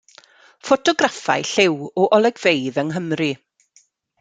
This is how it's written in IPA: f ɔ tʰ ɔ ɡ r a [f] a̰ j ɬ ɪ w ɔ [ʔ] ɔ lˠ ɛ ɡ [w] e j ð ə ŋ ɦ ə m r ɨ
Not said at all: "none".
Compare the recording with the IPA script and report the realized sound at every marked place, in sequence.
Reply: f, ʔ, v

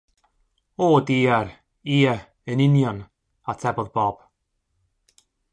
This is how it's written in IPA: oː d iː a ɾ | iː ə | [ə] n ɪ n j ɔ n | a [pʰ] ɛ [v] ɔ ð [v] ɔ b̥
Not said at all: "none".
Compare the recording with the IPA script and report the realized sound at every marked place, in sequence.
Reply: ə, tʰ, b, b

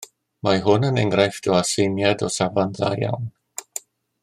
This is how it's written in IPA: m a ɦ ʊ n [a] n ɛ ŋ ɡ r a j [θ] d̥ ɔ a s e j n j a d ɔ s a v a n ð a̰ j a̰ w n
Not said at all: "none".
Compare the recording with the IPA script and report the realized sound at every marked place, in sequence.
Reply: ə, f

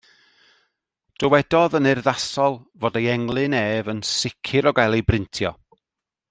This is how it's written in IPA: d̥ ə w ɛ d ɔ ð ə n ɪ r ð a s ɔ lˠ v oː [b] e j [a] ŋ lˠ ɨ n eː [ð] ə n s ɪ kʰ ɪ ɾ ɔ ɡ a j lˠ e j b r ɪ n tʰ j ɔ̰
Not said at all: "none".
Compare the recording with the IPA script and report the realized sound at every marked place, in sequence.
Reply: d, ɛ, v

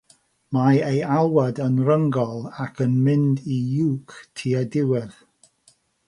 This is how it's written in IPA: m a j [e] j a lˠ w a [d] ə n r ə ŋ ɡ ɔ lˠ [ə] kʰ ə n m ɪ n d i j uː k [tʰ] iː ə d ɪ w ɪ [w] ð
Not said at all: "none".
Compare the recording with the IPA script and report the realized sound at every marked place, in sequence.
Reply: e, d, a, tʰ, none

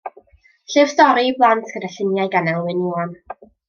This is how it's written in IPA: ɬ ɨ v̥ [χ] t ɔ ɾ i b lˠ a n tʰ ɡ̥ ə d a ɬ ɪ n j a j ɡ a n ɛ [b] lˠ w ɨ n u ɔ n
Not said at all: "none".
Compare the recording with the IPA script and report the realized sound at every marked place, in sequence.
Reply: s, none

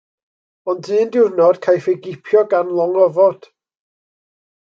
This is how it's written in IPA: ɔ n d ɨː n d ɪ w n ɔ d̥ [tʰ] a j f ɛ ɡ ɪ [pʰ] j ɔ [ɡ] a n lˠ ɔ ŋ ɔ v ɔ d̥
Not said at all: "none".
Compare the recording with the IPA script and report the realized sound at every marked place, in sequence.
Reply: kʰ, pʰ, ɡ

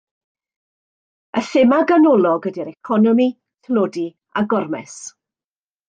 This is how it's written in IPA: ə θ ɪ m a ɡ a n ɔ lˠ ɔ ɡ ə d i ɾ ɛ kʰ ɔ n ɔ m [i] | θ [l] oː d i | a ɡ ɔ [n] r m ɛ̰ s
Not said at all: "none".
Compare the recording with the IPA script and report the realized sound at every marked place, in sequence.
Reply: i, l, none

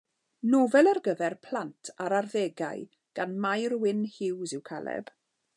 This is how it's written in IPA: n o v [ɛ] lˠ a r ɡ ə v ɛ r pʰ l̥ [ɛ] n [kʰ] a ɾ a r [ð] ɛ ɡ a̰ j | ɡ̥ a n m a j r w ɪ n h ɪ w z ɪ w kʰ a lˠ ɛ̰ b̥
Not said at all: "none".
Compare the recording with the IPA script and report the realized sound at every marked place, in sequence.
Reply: ɛ, a, tʰ, ð

